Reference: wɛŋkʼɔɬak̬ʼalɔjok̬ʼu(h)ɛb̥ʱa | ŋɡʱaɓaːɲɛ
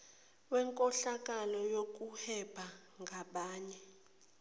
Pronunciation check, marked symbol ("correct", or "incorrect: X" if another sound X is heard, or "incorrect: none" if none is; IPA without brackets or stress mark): correct